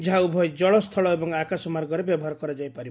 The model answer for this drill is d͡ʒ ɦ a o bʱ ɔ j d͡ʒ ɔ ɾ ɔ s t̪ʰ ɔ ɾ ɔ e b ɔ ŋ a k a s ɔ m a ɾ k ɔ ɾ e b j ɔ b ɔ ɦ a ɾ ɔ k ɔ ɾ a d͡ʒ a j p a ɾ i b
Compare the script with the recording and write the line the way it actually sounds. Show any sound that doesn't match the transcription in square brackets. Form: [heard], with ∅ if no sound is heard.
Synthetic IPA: d͡ʒ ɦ a [u] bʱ ɔ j d͡ʒ ɔ [ɭ] ɔ s t̪ʰ ɔ [ɭ] ɔ e b ɔ ŋ a k a s ɔ m a ɾ [ɡ] ɔ ɾ e b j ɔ b ɔ ɦ a ɾ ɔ k ɔ ɾ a d͡ʒ a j p a ɾ i b